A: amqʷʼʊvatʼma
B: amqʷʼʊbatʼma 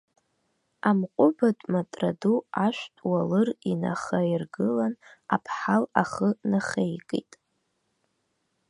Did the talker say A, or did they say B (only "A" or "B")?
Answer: B